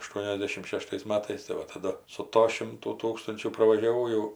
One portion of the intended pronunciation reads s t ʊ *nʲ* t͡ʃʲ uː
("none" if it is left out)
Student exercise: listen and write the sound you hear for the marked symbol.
nʲ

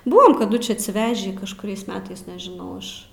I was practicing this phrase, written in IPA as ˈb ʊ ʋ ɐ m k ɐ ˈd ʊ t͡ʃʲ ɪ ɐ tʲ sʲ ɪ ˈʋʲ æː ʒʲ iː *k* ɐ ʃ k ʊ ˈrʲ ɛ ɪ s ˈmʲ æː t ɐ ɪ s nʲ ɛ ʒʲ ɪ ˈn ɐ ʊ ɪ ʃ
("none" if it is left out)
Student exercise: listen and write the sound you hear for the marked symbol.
k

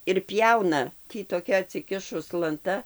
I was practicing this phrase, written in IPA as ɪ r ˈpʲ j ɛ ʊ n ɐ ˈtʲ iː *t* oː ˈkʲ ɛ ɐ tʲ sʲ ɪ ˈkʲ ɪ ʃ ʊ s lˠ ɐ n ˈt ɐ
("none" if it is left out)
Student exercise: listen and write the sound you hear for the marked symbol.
t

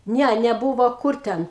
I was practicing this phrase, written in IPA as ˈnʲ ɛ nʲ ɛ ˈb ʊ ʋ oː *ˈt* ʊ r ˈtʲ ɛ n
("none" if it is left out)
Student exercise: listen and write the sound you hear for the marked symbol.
k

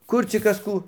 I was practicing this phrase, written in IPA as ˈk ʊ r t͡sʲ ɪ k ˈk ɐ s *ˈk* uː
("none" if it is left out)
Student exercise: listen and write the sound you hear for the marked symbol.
k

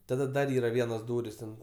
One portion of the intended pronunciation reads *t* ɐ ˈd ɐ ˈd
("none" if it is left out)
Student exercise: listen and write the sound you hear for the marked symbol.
t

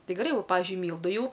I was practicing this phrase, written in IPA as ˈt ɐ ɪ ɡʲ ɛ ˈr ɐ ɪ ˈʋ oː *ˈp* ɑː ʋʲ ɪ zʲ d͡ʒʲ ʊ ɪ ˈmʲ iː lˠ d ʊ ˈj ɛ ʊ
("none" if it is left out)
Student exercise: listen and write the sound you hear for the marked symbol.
p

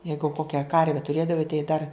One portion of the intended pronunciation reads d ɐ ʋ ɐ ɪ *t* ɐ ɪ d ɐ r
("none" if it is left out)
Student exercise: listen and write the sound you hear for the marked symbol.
t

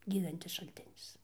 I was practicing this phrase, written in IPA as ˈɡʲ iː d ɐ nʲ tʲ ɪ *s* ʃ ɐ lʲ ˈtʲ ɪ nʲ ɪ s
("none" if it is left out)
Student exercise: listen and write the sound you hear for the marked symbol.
s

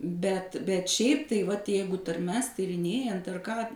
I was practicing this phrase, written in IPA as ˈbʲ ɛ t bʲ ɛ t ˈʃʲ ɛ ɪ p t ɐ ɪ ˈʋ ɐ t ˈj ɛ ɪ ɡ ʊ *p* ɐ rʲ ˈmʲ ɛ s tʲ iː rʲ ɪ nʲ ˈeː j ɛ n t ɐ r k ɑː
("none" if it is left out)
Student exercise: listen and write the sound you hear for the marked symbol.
t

